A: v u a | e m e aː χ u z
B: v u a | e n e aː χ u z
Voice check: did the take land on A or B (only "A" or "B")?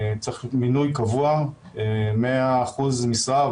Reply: A